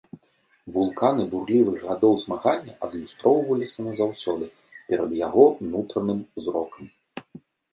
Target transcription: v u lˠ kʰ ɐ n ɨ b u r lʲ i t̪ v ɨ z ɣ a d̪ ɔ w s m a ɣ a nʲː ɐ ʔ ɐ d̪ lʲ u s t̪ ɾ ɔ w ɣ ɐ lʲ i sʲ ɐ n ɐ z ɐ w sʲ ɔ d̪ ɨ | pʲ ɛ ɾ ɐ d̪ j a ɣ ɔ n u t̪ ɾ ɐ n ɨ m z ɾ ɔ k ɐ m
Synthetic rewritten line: v u lˠ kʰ a n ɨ b u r lʲ i v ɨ ɣ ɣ a d̪ ɔ w z m a ɣ a nʲː ɐ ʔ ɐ d̪ lʲ u s t̪ ɾ ɔ w v ɐ lʲ i sʲ ɐ n ɐ z a w sʲ ɔ d̪ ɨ | pʲ ɛ ɾ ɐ d̪ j a ɣ ɔ n u t̪ ɾ ɐ n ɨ m z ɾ ɔ k ɐ m